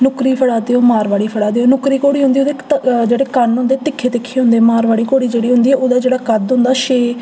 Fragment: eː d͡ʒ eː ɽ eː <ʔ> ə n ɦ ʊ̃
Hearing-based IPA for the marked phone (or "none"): k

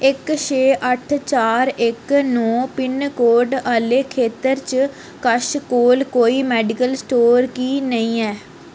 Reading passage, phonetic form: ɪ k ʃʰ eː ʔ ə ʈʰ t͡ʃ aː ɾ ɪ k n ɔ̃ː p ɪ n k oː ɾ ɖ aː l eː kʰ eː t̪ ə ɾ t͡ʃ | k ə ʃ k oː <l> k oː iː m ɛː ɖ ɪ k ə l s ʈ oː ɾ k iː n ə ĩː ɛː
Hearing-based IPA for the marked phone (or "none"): l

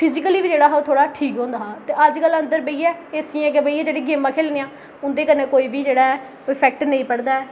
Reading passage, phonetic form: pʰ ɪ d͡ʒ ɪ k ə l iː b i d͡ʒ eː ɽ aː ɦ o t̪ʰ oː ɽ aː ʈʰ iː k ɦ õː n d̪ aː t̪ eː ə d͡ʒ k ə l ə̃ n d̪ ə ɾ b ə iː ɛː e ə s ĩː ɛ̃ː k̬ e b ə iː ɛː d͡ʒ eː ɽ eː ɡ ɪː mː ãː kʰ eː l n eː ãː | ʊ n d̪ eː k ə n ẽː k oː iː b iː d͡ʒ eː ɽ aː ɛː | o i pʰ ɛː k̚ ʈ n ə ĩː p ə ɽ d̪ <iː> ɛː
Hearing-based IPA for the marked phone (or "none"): aː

